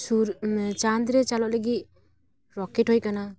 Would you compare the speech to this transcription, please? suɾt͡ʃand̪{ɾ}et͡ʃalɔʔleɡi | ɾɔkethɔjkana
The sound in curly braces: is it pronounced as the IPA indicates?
yes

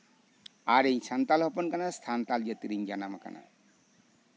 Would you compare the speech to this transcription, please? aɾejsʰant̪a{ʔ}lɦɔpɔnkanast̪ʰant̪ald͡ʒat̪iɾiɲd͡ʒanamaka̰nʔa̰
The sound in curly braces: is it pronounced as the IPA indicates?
no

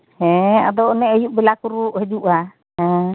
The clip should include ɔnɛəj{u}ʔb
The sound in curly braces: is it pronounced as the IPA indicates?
yes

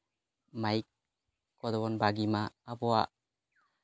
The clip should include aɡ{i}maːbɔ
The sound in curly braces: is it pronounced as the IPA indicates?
yes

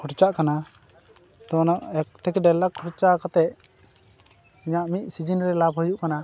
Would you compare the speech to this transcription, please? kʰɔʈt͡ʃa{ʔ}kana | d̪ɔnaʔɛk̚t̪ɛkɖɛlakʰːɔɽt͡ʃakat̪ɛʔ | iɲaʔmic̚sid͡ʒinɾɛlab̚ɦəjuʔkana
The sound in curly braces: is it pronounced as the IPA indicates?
yes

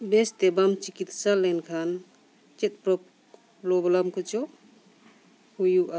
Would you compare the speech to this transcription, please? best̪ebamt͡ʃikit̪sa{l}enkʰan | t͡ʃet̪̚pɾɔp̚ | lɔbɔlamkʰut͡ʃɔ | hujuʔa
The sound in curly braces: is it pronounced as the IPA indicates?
yes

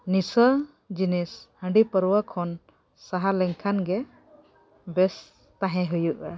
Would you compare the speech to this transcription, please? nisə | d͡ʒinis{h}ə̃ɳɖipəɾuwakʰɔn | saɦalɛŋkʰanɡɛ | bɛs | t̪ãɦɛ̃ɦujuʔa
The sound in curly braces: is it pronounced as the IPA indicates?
yes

